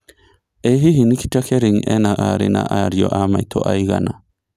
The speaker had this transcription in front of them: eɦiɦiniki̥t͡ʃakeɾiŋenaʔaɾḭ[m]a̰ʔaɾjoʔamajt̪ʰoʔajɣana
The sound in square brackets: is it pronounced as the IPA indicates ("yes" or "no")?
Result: no